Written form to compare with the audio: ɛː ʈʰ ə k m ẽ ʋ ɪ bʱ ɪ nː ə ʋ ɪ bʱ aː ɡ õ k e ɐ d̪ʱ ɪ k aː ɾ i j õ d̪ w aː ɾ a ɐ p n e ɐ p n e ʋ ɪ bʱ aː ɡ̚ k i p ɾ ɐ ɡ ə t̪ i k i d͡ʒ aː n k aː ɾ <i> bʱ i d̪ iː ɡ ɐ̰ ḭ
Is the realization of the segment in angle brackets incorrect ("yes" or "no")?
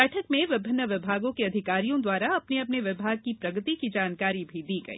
no